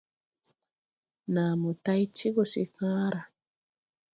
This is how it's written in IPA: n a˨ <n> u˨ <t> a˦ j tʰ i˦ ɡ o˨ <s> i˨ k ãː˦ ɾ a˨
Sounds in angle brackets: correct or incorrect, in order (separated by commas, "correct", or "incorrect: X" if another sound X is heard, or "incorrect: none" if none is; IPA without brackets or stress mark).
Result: incorrect: m, correct, correct